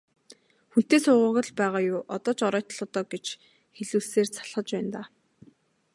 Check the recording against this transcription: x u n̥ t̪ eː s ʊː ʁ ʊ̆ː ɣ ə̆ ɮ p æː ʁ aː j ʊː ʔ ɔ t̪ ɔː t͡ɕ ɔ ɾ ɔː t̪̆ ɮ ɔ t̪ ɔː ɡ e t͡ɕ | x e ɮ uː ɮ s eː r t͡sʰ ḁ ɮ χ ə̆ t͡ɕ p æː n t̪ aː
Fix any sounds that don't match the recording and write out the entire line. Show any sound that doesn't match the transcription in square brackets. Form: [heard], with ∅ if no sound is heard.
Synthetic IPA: x u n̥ t̪ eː s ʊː ʁ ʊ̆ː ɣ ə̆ ɮ p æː ʁ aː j ʊː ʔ ɔ t̪ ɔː t͡ɕ ɔ ɾ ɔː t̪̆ ɮ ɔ t̪ ɔː ɡ e t͡ɕ | x e ɮ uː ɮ s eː r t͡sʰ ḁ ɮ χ ə̆ t͡ɕ p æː n t̪ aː